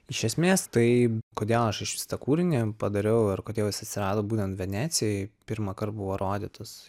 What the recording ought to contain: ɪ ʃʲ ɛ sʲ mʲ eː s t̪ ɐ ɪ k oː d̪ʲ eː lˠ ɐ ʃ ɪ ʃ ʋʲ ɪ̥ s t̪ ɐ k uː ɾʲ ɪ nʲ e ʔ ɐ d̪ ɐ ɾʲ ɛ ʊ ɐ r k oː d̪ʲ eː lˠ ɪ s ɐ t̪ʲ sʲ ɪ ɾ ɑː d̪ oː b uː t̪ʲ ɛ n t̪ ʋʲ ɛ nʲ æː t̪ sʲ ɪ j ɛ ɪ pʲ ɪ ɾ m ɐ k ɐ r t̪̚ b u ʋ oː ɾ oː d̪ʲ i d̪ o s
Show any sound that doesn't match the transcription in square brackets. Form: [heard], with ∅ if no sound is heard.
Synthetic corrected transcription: ɪ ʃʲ ɛ sʲ mʲ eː s t̪ ɐ ɪ k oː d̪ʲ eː lˠ ɐ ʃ ɪ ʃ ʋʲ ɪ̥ s t̪ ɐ k uː ɾʲ ɪ nʲ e [p] ɐ d̪ ɐ ɾʲ ɛ ʊ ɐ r k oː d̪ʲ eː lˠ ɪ s ɐ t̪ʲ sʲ ɪ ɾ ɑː d̪ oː b uː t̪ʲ ɛ n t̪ ʋʲ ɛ nʲ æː t̪ sʲ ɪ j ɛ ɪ pʲ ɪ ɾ m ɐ k ɐ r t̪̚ b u ʋ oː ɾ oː d̪ʲ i [t̪] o s